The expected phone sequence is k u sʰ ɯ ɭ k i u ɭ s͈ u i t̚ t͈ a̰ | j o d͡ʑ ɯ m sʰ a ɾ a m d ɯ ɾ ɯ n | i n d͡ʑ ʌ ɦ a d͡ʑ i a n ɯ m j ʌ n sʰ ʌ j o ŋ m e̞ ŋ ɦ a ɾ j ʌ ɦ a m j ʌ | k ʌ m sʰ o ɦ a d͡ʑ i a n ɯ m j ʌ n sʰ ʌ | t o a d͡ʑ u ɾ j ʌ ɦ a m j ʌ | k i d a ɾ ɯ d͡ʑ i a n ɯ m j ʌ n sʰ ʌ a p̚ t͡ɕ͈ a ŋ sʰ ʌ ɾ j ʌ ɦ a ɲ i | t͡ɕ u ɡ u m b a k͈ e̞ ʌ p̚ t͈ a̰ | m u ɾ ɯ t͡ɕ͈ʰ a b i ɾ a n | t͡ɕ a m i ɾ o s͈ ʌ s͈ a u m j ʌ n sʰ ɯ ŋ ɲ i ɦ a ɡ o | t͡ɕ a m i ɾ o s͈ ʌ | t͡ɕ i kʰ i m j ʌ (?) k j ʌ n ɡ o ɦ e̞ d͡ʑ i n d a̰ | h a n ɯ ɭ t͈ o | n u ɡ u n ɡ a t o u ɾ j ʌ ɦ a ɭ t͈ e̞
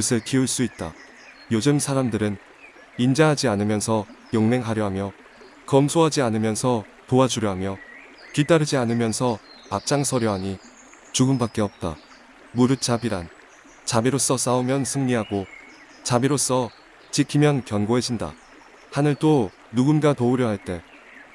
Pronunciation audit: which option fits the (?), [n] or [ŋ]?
n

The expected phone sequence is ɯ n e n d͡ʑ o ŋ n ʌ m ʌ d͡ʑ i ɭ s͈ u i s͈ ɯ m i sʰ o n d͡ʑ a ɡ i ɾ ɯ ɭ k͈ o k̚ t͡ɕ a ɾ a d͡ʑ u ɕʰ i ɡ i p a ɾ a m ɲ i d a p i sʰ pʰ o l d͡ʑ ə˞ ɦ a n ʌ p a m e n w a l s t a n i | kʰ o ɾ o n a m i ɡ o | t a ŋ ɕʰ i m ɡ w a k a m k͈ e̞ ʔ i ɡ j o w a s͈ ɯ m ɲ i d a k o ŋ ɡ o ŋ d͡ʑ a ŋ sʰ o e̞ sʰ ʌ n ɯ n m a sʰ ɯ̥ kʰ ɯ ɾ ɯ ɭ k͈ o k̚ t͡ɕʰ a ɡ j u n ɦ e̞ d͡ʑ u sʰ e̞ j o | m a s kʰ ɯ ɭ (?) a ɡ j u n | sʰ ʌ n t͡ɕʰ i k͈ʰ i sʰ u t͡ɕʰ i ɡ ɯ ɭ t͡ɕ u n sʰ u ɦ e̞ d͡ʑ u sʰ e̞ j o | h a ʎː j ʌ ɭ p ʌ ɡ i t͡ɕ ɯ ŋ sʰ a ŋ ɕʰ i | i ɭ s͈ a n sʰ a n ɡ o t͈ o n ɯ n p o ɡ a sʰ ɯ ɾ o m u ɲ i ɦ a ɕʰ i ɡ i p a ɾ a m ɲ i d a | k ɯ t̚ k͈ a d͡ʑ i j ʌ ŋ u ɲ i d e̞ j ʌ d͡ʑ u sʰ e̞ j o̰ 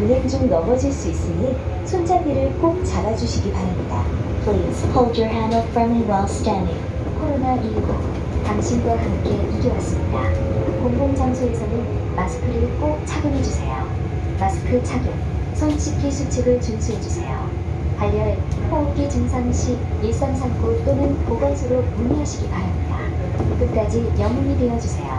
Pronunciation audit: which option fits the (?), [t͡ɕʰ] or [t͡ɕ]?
t͡ɕʰ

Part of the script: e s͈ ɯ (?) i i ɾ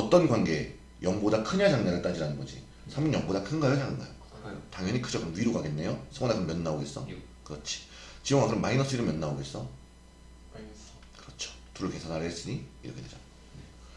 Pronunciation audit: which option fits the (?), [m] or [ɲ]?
ɲ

